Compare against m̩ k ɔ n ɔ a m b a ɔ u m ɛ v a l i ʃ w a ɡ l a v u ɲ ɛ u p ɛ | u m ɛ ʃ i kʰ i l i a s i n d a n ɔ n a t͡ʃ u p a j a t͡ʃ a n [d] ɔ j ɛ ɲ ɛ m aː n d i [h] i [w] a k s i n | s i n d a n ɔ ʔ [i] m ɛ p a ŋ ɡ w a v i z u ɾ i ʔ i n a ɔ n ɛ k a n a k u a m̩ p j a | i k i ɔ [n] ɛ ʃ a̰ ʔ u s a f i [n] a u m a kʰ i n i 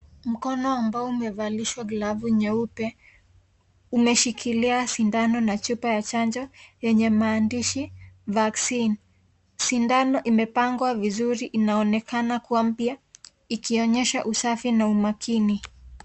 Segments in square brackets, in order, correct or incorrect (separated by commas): incorrect, incorrect, incorrect, correct, incorrect, correct